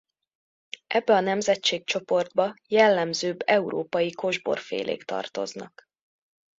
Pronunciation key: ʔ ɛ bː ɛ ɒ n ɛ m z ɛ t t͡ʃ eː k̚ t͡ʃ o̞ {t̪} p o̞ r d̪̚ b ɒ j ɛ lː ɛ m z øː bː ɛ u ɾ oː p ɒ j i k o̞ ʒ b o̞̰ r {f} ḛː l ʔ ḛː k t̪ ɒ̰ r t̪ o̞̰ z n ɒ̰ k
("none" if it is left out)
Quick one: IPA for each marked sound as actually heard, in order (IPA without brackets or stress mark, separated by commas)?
none, f